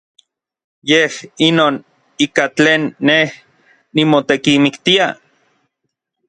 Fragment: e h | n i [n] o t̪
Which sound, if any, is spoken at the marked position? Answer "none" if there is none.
m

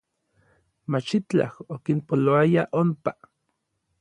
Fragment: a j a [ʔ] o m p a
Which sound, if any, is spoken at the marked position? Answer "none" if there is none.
ʔ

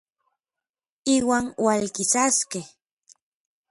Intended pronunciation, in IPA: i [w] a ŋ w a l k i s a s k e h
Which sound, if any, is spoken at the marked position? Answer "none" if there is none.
w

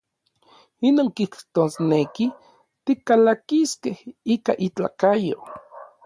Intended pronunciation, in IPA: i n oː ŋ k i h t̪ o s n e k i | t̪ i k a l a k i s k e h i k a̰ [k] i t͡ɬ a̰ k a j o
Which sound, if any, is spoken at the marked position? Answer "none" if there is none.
ʔ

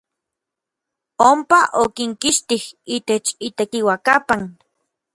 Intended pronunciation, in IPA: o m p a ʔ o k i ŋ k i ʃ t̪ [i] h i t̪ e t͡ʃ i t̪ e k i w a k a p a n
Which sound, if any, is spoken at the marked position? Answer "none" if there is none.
i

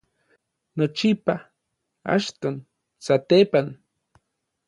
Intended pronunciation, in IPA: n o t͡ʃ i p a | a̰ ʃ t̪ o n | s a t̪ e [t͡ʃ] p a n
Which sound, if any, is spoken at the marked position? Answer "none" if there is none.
none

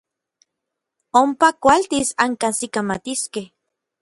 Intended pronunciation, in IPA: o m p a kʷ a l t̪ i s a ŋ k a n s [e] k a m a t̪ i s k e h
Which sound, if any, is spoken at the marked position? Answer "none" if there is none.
i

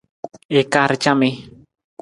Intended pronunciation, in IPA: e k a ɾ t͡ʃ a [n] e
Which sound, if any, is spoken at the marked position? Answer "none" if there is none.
m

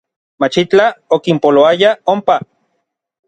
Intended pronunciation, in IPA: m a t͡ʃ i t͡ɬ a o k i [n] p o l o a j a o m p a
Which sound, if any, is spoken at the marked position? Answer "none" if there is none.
m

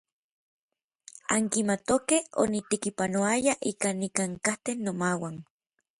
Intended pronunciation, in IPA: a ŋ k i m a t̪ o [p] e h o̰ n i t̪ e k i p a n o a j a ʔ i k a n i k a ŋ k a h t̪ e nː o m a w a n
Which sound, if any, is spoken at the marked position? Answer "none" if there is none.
k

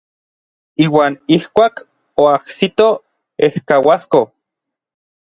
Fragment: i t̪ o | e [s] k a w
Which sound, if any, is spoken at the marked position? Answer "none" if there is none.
h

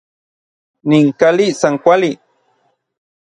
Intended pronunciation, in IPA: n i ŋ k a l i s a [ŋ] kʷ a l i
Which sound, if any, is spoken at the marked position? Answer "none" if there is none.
ŋ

